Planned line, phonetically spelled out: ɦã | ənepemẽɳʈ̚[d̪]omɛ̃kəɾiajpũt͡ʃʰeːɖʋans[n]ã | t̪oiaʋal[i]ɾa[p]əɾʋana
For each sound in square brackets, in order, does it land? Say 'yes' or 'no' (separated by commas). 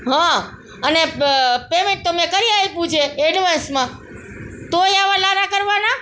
no, no, no, no